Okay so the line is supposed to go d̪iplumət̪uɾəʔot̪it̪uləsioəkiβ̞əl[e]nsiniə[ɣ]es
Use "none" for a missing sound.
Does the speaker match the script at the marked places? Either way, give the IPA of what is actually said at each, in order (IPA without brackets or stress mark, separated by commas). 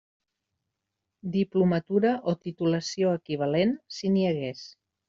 e, ɣ